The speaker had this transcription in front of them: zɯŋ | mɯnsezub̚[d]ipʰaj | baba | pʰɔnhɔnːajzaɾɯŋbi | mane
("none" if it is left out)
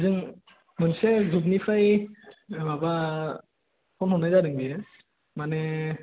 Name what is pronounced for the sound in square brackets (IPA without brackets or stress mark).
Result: n